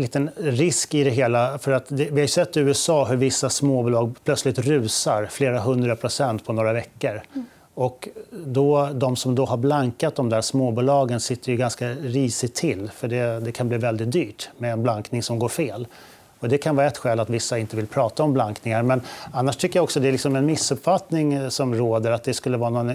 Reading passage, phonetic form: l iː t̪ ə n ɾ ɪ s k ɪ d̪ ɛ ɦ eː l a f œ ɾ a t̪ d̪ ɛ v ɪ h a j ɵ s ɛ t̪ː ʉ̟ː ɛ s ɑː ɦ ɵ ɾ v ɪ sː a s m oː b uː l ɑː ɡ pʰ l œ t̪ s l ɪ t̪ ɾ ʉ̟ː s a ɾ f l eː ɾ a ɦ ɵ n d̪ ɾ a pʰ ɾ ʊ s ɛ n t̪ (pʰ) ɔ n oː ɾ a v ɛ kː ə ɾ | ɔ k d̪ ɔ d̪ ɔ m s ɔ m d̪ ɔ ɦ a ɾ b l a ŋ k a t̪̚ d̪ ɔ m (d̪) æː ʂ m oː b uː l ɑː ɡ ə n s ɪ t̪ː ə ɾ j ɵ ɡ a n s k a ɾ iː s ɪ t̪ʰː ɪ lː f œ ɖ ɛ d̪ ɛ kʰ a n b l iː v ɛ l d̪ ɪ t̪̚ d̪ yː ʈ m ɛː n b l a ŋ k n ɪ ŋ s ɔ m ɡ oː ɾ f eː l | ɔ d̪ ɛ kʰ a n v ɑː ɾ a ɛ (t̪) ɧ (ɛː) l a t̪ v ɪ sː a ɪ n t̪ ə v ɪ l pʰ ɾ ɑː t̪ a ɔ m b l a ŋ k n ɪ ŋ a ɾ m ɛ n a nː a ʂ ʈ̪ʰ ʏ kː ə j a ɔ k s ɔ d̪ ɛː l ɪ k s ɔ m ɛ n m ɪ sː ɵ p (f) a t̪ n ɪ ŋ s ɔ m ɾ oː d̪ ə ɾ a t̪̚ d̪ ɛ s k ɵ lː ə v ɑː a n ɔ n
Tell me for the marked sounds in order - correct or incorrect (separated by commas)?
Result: correct, correct, correct, correct, correct